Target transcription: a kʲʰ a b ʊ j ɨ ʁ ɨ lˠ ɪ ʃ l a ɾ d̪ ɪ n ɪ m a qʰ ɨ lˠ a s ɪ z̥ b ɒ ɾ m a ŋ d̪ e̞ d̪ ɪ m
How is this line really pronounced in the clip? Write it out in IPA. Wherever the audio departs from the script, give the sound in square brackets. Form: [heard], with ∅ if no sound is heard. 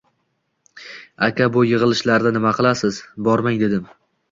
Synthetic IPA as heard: a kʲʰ a b ʊ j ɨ ʁ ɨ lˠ ɪ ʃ l a ɾ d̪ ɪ n ɪ m a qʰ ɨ lˠ a s ɪ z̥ b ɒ ɾ m a ŋ d̪ e̞ d̪ ɪ m